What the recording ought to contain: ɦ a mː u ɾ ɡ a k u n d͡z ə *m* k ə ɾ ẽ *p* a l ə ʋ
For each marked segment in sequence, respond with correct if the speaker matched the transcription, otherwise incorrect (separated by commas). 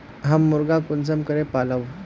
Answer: correct, correct